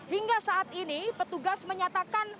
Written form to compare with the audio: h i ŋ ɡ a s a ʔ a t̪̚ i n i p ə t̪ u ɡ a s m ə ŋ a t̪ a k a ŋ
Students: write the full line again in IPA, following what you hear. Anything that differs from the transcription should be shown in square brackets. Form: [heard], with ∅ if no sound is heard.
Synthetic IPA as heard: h i ŋ ɡ a s a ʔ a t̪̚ i n i p ə t̪ u ɡ a s m ə [ɲ] a t̪ a k a [n]